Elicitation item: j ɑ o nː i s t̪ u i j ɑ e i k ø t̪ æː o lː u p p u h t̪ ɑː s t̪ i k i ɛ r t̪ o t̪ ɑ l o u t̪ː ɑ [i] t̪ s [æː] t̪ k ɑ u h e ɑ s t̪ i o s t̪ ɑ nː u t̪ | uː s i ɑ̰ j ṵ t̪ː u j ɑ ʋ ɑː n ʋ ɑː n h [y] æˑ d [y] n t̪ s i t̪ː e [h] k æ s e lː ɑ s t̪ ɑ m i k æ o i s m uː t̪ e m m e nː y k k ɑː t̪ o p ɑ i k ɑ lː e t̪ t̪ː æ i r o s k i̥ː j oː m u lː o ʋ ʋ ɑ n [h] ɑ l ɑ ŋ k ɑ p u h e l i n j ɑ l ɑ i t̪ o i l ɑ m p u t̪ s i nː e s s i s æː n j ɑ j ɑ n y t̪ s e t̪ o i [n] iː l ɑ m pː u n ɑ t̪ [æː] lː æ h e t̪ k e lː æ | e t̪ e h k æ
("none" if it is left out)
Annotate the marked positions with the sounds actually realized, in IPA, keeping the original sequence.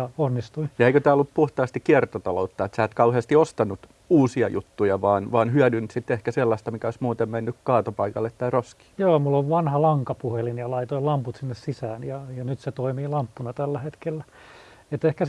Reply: e, æː, y, y, h, h, m, æ

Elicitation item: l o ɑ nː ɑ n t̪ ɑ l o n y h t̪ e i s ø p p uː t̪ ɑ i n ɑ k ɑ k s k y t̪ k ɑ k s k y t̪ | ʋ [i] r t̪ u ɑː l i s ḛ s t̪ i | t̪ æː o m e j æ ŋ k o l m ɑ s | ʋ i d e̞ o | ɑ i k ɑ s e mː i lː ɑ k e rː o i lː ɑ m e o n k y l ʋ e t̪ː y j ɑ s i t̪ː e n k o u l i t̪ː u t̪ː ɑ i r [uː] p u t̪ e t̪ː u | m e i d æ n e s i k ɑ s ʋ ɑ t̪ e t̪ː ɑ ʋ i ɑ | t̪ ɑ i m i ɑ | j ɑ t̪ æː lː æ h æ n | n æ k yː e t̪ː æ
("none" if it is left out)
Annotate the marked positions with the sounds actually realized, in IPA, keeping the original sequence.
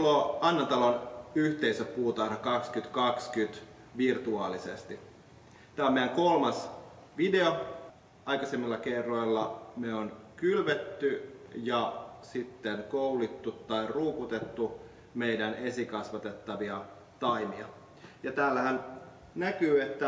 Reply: i, uː

